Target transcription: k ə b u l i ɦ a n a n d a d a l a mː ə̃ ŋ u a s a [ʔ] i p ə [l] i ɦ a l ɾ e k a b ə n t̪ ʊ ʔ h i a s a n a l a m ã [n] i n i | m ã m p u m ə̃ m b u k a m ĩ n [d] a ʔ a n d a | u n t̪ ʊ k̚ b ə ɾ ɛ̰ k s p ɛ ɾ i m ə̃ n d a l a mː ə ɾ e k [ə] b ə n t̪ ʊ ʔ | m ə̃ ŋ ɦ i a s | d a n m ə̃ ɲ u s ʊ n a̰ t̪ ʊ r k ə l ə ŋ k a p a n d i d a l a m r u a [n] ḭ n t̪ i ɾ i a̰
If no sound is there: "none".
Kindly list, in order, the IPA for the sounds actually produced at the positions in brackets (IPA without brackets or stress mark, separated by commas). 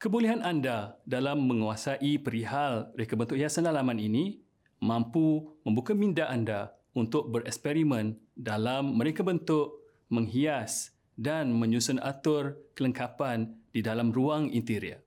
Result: ʔ, ɾ, n, d, a, ŋ